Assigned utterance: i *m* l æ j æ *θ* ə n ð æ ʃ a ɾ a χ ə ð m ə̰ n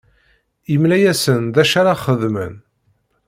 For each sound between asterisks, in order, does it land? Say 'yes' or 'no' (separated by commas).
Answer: yes, no